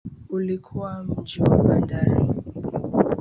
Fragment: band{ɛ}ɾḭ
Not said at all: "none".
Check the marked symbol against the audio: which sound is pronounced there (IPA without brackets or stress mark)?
a